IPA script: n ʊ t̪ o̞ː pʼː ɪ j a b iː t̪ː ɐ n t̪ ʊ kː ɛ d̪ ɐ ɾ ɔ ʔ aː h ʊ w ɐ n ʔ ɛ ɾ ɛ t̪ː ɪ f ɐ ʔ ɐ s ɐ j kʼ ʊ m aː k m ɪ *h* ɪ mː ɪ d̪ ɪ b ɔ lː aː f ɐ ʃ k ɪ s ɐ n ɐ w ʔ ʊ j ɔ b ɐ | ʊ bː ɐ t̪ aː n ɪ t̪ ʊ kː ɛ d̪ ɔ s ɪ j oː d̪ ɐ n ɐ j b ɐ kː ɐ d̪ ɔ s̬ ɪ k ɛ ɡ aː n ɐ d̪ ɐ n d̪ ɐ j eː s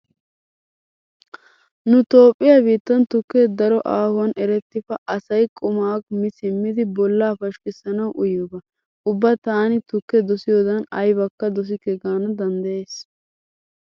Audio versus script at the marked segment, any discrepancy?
yes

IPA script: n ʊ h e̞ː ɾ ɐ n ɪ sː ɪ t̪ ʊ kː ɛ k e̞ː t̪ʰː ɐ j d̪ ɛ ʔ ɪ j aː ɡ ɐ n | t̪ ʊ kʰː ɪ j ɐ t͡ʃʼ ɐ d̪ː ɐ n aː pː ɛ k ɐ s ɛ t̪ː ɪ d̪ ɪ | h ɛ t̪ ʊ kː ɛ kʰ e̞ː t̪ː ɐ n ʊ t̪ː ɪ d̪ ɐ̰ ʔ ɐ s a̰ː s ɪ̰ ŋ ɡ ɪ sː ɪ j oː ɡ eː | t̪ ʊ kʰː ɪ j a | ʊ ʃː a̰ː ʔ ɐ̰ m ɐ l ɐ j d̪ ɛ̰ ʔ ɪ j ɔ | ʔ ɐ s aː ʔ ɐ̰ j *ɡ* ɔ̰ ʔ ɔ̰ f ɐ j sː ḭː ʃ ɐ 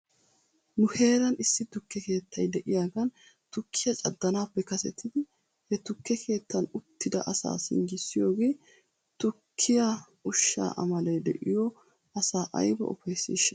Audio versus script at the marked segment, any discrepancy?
yes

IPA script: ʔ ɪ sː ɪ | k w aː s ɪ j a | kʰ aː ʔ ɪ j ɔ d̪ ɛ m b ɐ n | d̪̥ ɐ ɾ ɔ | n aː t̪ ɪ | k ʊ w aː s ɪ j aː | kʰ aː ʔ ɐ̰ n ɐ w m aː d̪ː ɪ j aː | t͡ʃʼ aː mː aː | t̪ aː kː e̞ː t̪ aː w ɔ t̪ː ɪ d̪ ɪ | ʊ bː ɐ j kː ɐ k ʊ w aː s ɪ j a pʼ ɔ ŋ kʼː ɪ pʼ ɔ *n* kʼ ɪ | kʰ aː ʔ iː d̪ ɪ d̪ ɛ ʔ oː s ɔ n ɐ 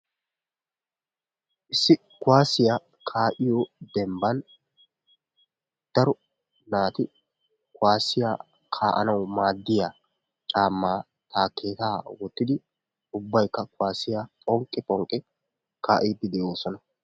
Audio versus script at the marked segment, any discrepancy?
yes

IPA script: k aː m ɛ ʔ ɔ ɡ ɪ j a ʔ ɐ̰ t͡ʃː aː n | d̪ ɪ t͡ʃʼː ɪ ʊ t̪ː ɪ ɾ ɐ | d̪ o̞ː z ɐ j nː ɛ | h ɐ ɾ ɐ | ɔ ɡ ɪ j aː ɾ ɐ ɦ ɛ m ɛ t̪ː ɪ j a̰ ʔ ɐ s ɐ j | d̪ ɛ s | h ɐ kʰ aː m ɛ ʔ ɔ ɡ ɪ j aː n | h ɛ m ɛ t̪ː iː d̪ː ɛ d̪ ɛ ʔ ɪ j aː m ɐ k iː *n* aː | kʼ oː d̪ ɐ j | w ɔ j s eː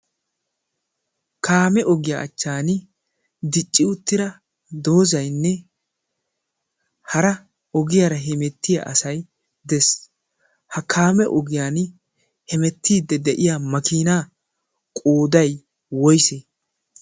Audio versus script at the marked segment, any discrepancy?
no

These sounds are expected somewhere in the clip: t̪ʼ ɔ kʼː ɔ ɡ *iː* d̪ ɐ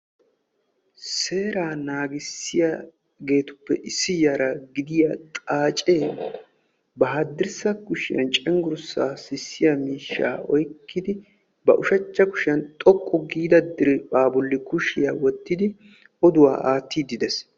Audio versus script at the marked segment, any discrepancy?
no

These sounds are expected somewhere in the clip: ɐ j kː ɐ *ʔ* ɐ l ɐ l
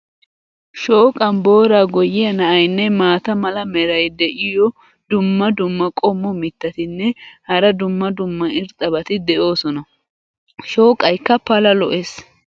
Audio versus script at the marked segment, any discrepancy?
yes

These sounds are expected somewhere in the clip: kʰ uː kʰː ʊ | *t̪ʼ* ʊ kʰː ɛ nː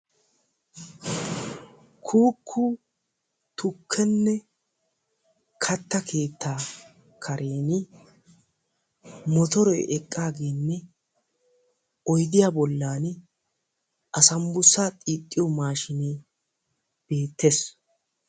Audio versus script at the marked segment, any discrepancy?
yes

